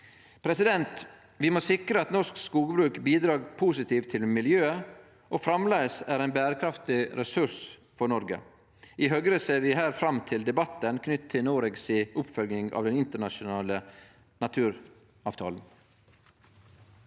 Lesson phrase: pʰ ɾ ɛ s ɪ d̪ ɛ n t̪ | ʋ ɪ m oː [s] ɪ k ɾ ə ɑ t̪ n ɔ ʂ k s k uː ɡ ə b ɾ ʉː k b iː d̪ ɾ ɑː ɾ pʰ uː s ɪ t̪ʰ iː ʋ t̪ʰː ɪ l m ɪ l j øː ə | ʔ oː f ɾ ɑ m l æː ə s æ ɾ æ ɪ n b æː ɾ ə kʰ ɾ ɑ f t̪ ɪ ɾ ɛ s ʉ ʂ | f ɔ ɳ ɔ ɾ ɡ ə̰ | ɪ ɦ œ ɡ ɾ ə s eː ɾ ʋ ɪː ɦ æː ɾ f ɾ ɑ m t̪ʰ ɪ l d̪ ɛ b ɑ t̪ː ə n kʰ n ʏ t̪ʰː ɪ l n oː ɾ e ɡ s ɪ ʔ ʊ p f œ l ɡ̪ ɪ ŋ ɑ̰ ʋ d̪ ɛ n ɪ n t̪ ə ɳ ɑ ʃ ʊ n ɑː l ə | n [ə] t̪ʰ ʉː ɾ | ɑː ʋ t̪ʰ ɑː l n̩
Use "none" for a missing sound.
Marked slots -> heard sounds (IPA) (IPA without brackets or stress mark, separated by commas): s, ɑ